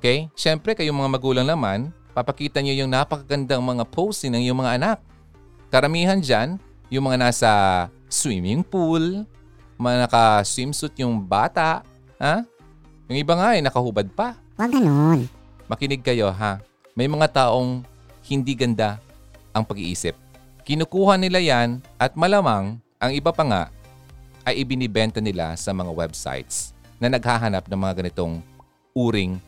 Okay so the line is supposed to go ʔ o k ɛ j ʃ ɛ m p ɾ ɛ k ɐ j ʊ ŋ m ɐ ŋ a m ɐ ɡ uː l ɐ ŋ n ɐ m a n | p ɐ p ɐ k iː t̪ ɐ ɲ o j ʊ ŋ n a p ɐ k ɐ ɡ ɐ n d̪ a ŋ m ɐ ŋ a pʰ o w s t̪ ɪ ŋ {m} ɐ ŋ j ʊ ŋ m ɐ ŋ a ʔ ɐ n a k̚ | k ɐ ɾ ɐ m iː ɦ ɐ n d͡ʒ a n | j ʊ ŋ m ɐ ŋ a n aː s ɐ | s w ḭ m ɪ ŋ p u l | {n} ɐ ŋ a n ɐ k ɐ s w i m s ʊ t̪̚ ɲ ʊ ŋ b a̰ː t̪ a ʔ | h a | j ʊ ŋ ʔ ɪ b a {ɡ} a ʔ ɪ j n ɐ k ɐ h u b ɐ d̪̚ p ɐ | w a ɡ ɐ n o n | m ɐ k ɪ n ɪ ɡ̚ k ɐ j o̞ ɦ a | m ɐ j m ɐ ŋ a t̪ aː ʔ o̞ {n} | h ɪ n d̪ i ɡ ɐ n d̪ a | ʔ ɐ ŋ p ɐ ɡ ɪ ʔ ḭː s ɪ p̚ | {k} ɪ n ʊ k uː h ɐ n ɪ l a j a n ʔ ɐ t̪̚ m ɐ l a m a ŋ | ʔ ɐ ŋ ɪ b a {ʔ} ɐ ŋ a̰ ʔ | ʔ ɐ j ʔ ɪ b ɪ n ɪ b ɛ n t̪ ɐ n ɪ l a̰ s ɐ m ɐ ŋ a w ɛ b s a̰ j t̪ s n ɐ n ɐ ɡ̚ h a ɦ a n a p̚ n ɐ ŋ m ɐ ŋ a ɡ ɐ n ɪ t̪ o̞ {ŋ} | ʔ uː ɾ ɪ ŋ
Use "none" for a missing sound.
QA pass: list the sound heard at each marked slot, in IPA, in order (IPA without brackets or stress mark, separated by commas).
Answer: n, m, ŋ, ŋ, k, p, ŋ